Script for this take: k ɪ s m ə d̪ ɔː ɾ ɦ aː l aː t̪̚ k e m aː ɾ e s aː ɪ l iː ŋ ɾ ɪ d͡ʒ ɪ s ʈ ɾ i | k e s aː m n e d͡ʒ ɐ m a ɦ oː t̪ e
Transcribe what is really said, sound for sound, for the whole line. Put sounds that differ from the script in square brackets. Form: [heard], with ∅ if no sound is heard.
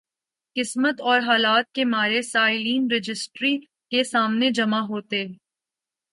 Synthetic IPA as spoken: k ɪ s m ə [t̪] ɔː ɾ ɦ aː l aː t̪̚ k e m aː ɾ e s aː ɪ l iː [n] ɾ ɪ d͡ʒ ɪ s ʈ ɾ i | k e s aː m n e d͡ʒ ɐ m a ɦ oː t̪ e